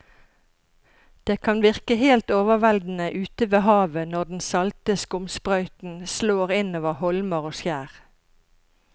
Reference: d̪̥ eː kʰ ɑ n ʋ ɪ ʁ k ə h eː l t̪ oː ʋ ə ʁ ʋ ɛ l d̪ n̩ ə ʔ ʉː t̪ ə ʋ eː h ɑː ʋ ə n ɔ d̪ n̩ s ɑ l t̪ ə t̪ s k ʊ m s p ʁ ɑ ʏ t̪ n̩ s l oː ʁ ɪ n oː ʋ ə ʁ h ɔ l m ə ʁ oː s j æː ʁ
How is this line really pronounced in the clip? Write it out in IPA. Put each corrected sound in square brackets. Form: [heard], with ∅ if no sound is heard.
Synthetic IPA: d̪̥ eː kʰ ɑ n ʋ ɪ ʁ k ə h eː l t̪ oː ʋ ə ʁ ʋ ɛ l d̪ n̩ ə ʔ ʉː t̪ ə ʋ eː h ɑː ʋ ə n ɔ d̪ n̩ s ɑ l t̪ ə [∅] s k ʊ m s p ʁ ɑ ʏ t̪ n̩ s l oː ʁ ɪ n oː ʋ ə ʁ h ɔ l m ə ʁ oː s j æː ʁ